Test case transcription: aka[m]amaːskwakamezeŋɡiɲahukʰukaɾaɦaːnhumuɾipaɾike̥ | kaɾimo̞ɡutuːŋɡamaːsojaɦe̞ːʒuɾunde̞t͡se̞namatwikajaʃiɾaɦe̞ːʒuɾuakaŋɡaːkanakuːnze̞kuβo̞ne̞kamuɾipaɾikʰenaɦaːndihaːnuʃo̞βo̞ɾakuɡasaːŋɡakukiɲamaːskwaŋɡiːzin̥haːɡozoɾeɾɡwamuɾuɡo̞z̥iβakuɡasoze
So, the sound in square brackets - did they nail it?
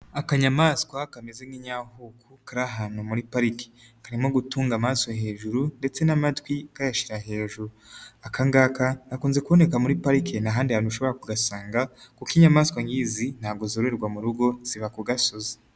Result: no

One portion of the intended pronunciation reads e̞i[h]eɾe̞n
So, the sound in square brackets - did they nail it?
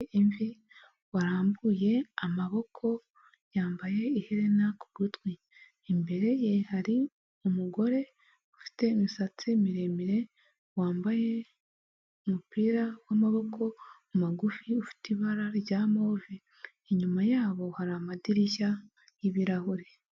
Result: yes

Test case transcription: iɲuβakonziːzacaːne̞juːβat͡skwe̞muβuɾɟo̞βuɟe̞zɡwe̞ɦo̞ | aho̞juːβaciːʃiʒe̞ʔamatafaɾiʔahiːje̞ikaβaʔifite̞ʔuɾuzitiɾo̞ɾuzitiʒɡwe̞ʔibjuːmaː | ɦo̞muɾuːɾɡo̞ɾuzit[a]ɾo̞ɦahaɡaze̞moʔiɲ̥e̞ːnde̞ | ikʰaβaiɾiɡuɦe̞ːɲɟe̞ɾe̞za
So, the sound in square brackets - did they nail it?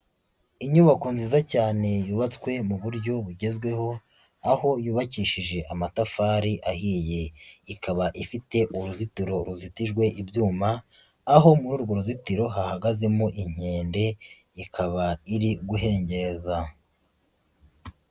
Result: no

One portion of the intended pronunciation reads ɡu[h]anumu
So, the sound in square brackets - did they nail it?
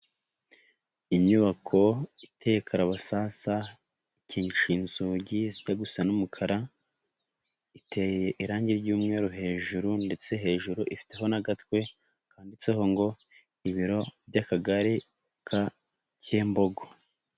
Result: no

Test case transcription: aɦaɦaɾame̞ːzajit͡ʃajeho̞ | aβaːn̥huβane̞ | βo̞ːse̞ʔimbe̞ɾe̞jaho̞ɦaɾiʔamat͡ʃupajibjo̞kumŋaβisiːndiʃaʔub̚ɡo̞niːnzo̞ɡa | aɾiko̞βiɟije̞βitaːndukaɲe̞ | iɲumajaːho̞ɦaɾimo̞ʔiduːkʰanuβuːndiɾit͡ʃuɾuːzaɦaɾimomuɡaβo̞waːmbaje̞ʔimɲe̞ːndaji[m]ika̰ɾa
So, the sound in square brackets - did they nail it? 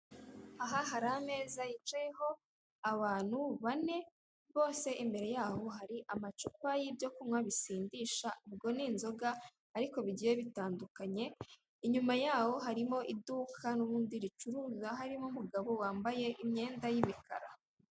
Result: yes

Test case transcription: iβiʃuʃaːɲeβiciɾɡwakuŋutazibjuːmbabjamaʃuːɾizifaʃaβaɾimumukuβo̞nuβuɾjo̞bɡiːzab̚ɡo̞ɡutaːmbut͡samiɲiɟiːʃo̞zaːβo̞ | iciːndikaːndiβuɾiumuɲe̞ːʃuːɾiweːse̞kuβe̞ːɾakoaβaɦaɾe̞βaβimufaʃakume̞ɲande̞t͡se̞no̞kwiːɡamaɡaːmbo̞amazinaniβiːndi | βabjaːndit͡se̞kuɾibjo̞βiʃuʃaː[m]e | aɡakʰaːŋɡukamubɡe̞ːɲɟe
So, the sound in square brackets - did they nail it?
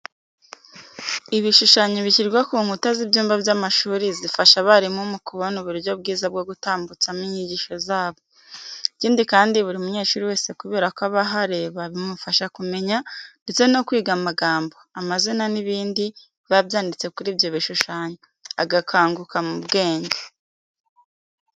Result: no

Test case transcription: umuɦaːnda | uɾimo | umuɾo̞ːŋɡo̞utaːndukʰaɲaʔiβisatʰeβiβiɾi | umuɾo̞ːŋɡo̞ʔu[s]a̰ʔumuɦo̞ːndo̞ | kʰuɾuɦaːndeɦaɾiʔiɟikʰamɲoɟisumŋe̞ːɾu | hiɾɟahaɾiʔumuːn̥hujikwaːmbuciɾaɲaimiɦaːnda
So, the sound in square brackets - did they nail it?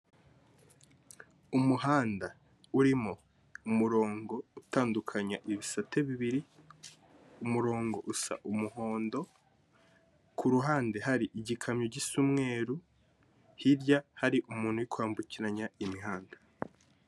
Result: yes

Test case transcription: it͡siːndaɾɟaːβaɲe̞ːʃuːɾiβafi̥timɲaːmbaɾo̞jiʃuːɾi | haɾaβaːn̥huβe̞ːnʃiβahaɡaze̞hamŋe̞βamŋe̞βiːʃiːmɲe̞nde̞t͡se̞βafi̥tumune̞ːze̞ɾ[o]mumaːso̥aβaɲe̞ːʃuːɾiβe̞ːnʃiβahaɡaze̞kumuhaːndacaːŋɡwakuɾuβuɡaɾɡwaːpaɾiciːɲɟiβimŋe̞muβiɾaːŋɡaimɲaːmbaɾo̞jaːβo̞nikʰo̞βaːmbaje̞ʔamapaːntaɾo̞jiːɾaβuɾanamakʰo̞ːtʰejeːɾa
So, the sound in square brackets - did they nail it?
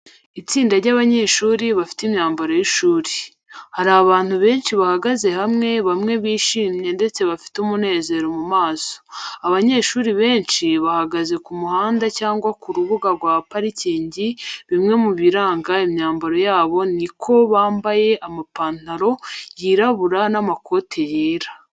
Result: yes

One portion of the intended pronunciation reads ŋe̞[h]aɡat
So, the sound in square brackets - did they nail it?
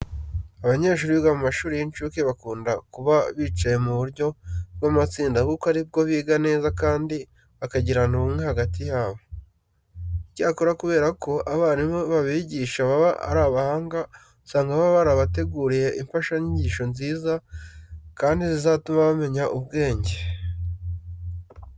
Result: yes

